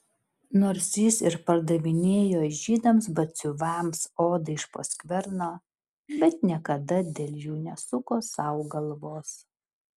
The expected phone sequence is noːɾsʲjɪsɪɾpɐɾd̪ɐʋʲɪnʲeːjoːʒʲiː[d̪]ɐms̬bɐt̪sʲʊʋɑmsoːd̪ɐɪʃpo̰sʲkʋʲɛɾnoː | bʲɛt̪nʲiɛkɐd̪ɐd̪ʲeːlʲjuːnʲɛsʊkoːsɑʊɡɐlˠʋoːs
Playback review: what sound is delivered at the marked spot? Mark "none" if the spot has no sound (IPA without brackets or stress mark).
d̪